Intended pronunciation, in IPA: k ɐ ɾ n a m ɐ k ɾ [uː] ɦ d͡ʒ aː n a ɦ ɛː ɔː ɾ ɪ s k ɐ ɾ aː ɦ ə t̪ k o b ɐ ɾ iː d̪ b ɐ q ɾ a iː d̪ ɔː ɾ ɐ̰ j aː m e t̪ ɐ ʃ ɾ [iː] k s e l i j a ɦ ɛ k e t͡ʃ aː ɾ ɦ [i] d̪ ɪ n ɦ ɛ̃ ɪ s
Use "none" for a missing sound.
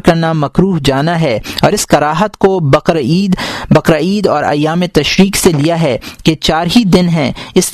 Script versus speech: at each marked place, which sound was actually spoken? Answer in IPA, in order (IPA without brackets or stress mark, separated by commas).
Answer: uː, iː, i